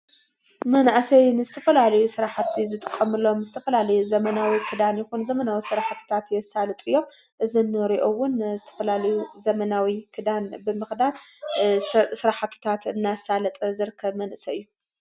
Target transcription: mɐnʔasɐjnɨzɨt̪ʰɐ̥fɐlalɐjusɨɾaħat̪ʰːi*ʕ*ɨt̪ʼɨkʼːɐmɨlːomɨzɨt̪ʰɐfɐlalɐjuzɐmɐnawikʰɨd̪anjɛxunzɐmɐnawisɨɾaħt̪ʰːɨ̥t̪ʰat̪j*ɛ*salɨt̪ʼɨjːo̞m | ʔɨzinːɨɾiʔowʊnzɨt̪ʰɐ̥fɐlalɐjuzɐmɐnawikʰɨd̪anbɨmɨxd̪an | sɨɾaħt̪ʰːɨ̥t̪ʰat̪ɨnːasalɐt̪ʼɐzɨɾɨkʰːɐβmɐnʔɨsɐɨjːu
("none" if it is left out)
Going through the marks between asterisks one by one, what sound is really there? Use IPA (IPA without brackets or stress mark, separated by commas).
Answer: z, ɛ